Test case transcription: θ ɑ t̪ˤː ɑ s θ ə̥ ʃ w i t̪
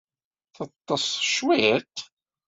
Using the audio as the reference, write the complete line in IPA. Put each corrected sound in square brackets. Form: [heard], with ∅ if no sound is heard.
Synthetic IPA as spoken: θ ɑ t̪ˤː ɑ s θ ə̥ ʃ w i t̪